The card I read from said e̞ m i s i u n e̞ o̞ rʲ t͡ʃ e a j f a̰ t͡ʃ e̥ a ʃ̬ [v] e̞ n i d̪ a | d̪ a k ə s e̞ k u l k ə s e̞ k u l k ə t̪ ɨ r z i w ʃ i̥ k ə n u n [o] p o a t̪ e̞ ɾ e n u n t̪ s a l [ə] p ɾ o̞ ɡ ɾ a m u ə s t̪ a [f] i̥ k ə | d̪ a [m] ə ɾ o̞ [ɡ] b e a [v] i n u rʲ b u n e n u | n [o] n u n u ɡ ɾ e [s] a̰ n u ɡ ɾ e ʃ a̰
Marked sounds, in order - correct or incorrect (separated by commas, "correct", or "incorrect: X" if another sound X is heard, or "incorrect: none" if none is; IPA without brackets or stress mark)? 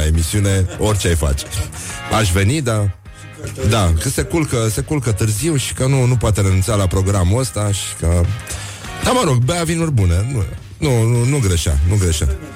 correct, incorrect: u, incorrect: a, incorrect: ʃ, correct, correct, correct, incorrect: u, incorrect: ʃ